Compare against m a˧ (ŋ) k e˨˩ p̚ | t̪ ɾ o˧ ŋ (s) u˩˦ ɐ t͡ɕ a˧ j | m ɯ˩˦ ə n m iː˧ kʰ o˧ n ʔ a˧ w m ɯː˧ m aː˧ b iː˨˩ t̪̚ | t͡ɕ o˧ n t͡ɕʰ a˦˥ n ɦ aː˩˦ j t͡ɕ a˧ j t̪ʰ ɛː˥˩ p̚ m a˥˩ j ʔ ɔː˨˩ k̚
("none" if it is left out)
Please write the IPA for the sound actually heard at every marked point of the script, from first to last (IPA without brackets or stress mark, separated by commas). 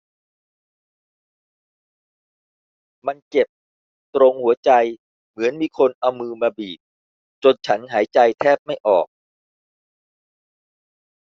n, h